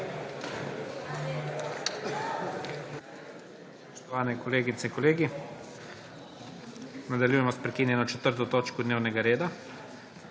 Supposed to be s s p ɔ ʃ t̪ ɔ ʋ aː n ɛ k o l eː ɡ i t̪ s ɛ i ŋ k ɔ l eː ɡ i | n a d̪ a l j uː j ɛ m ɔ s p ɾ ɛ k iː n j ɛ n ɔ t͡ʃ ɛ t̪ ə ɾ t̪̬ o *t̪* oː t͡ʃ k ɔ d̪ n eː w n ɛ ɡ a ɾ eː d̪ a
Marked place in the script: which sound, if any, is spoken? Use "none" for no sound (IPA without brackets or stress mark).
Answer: t̪